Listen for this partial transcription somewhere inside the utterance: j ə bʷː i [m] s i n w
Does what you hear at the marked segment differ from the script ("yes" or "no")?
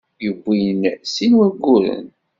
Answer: yes